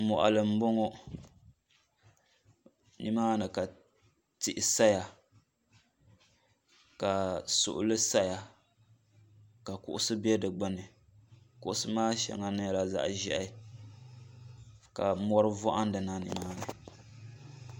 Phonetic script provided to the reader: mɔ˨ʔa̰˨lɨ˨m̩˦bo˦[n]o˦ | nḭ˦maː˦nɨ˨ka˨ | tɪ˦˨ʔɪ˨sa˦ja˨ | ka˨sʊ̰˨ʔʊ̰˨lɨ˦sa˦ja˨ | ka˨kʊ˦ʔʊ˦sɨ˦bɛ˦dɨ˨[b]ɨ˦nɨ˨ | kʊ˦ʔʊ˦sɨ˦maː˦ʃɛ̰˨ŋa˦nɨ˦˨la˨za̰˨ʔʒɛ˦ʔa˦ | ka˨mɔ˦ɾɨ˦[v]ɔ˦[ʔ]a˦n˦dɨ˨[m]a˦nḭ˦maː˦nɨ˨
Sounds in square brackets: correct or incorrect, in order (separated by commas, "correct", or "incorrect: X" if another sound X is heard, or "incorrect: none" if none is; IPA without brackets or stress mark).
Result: incorrect: ŋ, incorrect: ɡ͡b, correct, correct, incorrect: n